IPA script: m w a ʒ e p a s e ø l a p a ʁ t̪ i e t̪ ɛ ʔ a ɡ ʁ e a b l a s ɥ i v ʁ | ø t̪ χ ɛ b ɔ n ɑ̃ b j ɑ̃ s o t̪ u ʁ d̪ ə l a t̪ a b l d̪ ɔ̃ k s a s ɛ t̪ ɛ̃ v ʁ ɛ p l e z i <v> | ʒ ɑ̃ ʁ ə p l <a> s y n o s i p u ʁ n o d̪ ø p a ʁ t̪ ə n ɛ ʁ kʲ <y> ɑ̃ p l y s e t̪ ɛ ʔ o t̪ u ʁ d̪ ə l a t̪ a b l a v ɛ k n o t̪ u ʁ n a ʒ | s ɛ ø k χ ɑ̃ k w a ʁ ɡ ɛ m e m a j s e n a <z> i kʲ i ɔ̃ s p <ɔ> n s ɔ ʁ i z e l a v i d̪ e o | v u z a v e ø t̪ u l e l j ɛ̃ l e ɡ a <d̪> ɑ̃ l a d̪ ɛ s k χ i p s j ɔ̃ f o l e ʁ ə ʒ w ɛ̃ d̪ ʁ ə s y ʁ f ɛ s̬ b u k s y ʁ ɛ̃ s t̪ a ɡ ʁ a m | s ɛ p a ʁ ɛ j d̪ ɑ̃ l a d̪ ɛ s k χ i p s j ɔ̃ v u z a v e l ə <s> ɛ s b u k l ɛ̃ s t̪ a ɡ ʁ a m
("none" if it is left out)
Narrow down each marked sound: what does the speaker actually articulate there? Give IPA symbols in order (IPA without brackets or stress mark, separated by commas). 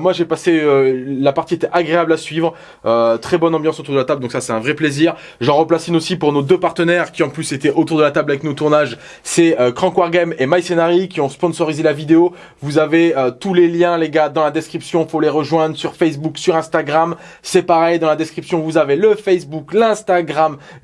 ʁ, a, i, ʁ, ɔ̃, d̪, f